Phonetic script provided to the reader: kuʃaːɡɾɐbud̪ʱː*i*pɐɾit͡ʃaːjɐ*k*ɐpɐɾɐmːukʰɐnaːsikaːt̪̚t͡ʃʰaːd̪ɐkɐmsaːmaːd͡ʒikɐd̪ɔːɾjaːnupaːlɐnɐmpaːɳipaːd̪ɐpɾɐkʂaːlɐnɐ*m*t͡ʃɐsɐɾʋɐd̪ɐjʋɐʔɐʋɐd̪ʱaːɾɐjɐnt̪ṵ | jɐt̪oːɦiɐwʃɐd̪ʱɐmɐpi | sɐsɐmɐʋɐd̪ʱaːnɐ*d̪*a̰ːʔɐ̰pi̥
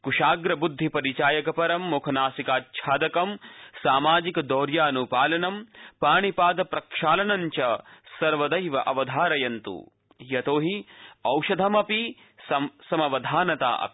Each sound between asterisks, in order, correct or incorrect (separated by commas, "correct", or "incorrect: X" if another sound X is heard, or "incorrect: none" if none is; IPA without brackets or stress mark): correct, correct, incorrect: ɲ, incorrect: t̪